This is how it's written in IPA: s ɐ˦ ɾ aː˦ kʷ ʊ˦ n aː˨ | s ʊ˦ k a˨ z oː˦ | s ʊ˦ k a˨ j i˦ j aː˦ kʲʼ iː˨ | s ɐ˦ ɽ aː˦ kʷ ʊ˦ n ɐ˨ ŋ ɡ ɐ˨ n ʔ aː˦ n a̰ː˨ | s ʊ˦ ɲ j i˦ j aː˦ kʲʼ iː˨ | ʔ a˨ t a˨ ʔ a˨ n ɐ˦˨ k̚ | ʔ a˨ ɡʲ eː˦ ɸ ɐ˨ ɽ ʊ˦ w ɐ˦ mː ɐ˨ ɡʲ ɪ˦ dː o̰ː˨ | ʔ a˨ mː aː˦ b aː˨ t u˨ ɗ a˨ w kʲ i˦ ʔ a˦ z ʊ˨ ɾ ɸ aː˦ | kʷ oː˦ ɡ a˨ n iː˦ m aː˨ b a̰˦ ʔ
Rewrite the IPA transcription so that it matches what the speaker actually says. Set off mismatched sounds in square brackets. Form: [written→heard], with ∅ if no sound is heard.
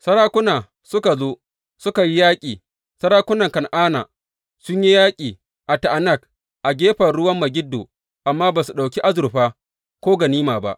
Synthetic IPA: s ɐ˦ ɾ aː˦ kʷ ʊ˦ n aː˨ | s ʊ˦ k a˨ z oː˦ | s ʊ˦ k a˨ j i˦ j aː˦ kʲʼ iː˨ | s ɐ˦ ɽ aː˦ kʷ ʊ˦ n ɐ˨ ŋ [ɡ→k] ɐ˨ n ʔ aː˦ n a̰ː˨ | s ʊ˦ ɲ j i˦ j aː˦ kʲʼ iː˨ | ʔ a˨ t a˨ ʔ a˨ n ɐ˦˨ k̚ | ʔ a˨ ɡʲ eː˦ ɸ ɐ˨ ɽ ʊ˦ w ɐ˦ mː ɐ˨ ɡʲ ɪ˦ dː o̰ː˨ | ʔ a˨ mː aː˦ b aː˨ [t→s] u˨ ɗ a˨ w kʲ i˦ ʔ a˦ z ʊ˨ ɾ ɸ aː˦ | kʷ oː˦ ɡ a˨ n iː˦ m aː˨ b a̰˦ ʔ